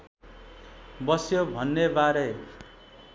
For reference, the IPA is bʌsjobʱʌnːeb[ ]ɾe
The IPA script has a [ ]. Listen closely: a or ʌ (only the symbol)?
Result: a